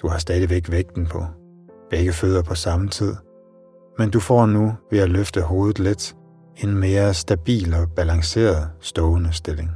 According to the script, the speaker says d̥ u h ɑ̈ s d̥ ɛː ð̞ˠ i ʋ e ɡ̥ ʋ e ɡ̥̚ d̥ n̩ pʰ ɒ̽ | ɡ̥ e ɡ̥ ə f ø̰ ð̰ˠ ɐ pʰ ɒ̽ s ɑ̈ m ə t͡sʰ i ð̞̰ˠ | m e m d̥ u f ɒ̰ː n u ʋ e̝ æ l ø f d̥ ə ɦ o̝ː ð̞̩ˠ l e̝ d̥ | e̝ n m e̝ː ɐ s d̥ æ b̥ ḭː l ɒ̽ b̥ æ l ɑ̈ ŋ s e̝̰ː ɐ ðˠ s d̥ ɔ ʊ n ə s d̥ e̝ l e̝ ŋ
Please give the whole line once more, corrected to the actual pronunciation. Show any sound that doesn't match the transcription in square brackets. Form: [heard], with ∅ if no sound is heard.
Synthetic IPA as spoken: d̥ u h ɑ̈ s d̥ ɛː ð̞ˠ i ʋ e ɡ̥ ʋ e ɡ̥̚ d̥ n̩ pʰ ɒ̽ | [b̥] e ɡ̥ ə f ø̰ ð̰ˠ ɐ pʰ ɒ̽ s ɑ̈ m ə t͡sʰ i ð̞̰ˠ | m e [n] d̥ u f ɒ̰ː n u ʋ e̝ æ l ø f d̥ ə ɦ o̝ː ð̞̩ˠ l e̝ d̥ | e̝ n m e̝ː ɐ s d̥ æ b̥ ḭː l ɒ̽ b̥ æ l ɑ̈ ŋ s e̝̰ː ɐ ðˠ s d̥ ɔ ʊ n ə s d̥ e̝ l e̝ ŋ